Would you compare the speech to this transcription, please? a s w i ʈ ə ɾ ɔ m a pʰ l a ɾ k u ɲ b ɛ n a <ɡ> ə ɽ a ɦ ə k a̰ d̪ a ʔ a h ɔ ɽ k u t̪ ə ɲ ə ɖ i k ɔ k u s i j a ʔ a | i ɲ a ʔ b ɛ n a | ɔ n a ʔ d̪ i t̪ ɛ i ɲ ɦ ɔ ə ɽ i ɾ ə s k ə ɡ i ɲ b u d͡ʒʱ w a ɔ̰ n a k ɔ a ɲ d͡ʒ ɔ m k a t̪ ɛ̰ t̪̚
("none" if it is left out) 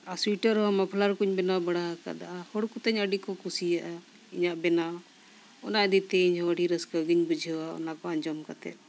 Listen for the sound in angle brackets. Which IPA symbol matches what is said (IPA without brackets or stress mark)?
b